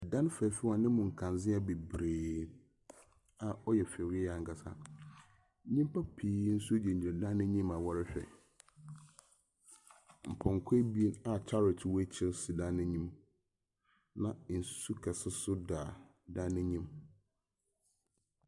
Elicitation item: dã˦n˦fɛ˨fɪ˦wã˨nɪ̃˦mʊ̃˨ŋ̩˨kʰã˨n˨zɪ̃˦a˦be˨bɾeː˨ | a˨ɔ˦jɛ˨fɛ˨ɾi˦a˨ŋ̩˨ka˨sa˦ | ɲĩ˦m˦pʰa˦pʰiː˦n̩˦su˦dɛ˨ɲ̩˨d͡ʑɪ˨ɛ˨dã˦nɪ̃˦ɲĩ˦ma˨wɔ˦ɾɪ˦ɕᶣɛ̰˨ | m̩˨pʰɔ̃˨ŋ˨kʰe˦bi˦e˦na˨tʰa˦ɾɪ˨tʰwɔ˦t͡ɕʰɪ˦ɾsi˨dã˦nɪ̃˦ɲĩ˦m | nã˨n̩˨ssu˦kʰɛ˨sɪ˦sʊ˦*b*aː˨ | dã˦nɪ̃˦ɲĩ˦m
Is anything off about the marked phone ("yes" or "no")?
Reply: yes